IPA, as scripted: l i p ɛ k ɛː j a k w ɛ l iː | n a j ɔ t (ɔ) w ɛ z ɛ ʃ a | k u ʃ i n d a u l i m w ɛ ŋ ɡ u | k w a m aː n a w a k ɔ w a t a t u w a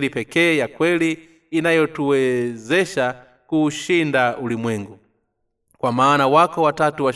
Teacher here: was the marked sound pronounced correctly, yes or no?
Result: no